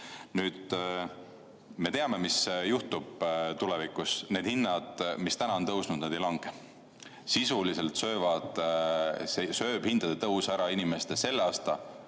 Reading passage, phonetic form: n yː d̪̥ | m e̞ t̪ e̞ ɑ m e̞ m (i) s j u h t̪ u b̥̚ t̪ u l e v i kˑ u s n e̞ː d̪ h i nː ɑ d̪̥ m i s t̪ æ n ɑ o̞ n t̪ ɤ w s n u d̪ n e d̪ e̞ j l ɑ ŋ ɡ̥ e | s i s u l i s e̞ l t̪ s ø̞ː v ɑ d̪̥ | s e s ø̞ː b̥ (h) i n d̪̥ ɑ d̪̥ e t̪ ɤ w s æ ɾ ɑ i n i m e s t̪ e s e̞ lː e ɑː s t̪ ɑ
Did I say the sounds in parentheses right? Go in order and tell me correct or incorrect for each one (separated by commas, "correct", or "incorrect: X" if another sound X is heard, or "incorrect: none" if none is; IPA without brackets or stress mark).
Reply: correct, correct